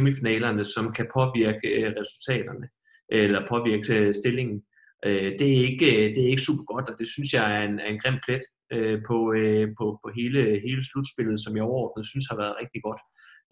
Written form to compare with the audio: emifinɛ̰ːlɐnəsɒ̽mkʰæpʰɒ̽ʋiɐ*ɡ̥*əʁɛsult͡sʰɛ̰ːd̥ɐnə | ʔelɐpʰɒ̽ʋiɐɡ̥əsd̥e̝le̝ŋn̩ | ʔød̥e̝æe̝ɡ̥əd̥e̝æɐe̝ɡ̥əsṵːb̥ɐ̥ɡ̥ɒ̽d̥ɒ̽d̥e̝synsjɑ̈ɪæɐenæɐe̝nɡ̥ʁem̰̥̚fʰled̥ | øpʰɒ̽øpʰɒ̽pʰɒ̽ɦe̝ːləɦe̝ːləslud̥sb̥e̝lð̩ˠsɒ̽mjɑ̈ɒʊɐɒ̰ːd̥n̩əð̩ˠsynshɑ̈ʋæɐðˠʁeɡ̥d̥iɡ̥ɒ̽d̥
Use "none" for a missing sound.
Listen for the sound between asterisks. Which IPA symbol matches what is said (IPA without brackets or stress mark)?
ɡ̥